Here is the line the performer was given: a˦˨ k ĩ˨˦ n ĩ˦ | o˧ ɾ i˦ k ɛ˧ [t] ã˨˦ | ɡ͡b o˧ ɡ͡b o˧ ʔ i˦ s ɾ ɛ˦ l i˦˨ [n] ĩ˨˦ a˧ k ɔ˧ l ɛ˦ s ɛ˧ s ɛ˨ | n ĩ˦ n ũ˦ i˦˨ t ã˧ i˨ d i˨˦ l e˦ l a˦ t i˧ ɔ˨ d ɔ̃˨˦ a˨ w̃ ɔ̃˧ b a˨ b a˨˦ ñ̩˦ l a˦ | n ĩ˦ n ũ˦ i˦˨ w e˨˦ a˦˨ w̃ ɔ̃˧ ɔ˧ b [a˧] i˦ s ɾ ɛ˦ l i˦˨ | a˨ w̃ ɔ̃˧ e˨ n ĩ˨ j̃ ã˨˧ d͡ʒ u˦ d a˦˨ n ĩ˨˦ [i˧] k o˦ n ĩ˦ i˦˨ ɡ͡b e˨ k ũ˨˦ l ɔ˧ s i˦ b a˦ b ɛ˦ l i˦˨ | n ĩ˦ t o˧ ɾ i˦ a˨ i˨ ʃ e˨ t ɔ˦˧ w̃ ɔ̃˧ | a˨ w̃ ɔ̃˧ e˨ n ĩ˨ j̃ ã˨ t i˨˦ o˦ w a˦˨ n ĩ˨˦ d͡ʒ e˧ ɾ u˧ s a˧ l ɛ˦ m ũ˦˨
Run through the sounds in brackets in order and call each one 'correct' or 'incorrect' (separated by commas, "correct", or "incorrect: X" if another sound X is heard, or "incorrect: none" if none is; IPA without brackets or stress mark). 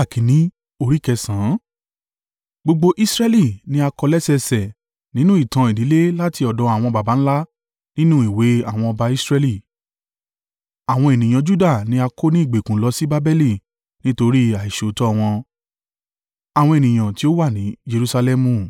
incorrect: s, correct, correct, incorrect: a˧